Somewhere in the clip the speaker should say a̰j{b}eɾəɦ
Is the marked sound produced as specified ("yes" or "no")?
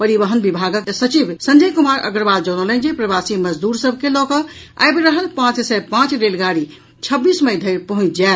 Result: yes